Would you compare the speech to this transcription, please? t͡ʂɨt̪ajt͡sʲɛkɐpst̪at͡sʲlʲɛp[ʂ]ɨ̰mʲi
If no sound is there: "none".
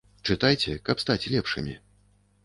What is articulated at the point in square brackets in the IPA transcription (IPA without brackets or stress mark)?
ʂ